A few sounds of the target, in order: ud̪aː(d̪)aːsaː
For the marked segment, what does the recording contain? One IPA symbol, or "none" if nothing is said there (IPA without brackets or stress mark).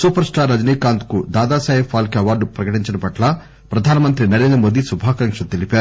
d̪